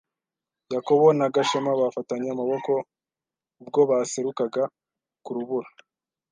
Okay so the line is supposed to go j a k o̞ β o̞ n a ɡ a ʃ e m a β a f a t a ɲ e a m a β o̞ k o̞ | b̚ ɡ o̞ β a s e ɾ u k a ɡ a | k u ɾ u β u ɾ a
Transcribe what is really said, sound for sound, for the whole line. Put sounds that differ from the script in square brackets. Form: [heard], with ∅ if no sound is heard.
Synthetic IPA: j a k o̞ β o̞ n a ɡ a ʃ e m a β a f a t a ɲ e a m a β o̞ k o̞ | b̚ ɡ o̞ β a s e ɾ u k a ɡ a | k u ɾ u β u ɾ a

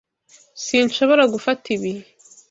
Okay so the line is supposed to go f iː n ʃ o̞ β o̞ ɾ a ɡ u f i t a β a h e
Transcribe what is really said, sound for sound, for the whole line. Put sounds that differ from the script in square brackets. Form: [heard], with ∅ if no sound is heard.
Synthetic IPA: [s] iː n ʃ o̞ β o̞ ɾ a ɡ u f [a] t [i] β [i] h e

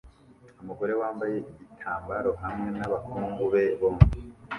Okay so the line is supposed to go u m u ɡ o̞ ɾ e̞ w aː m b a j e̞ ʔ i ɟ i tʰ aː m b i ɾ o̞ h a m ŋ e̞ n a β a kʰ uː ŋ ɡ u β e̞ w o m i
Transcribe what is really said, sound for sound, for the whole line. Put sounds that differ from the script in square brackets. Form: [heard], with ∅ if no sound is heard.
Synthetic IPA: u m u ɡ o̞ ɾ e̞ w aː m b a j e̞ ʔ i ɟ i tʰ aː m b [a] ɾ o̞ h a m ŋ e̞ n a β a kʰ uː ŋ ɡ u β e̞ [β] o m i

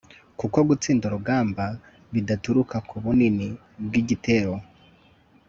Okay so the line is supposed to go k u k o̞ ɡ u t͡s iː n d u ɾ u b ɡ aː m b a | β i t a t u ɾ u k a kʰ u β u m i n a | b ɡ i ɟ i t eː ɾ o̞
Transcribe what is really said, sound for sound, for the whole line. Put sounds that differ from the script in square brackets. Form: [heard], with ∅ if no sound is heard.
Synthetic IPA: k u k o̞ ɡ u t͡s iː n d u ɾ u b ɡ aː m b a | β i [d] a t u ɾ u k a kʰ u β u [n] i n [i] | b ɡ i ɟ i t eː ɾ o̞

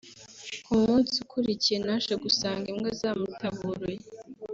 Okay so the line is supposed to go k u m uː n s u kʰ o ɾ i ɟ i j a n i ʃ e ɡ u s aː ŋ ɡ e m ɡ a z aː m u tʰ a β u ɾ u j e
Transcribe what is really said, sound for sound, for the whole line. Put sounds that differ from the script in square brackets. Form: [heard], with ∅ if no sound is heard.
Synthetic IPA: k u m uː n s u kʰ [u] ɾ i [c] i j [e] n [a] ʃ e ɡ u s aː ŋ ɡ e m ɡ a z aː m u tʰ a β u ɾ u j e

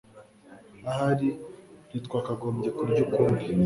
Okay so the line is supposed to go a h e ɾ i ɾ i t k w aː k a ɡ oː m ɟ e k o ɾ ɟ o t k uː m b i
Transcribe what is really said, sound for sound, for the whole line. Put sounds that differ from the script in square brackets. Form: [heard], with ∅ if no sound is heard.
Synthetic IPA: a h [a] ɾ i ɾ i t k w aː k a ɡ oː m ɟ e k [u] ɾ ɟ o [∅] k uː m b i

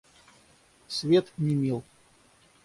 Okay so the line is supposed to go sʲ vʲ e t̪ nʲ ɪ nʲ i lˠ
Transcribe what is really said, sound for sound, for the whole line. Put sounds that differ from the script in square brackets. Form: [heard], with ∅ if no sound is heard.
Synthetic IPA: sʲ vʲ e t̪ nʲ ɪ [mʲ] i lˠ

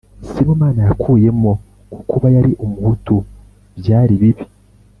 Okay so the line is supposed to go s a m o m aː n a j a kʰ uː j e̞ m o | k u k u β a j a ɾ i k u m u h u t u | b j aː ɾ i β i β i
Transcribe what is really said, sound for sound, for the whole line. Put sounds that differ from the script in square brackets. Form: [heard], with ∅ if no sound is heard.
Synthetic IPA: s [i] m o m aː n a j a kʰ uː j e̞ m o | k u k u β a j a ɾ i [ʔ] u m u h u t u | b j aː ɾ i β i β i

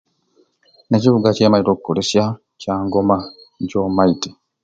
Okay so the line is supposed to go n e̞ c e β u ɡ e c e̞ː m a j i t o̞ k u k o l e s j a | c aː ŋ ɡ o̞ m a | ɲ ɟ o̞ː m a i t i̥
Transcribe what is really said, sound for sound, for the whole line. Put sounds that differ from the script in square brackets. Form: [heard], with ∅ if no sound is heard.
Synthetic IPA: n e̞ c [i] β u ɡ [a] c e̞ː m a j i t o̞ k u k o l e s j a | c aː ŋ ɡ o̞ m a | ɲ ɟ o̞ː m a i t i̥

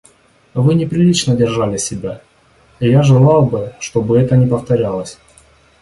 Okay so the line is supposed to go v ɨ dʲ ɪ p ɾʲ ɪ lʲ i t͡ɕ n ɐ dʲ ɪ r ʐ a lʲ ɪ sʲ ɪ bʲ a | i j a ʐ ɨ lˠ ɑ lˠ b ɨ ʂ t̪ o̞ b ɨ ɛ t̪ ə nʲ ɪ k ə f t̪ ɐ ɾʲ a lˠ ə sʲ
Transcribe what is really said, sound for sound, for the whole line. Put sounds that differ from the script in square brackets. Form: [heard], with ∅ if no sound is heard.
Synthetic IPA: v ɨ [nʲ] ɪ p ɾʲ ɪ lʲ i t͡ɕ n [ə] dʲ ɪ r ʐ a lʲ ɪ sʲ ɪ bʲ a | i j a ʐ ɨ lˠ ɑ lˠ b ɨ ʂ t̪ o̞ b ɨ ɛ t̪ ə nʲ ɪ [p] ə f t̪ ɐ ɾʲ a lˠ ə sʲ

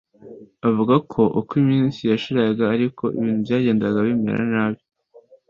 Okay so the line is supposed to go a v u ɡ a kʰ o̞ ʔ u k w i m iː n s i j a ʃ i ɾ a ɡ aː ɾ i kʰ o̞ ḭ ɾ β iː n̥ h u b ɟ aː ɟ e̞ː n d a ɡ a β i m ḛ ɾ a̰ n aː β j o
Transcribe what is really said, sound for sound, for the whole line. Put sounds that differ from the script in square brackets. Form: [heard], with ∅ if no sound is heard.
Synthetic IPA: a v u ɡ a kʰ o̞ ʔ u k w i m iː n s i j a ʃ i ɾ a ɡ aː ɾ i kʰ o̞ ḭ [∅] β iː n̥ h u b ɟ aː ɟ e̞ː n d a ɡ a β i m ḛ ɾ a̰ n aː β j o

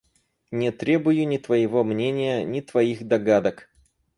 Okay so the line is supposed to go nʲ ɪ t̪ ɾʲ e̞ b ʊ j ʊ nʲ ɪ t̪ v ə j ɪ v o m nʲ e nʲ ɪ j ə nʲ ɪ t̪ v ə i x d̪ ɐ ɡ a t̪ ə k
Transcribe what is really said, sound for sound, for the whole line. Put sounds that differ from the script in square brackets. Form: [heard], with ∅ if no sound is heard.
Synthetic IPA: nʲ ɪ t̪ ɾʲ e̞ b ʊ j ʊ nʲ ɪ t̪ v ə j ɪ v o m nʲ e nʲ ɪ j ə nʲ ɪ t̪ v [ɐ] i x d̪ ɐ ɡ a [d̪] ə k

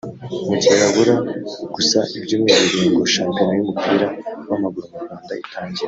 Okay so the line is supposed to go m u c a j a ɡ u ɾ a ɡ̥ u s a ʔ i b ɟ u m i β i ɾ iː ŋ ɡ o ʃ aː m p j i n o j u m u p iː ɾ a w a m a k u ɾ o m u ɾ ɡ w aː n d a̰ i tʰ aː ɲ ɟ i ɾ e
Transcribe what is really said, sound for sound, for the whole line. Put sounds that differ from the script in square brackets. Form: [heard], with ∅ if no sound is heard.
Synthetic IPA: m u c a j a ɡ u ɾ a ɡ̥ u s a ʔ i b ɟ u m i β i ɾ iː ŋ ɡ o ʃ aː m p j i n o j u m u p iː ɾ a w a m a [ɡ] u ɾ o m u ɾ ɡ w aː n d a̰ i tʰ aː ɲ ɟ i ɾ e

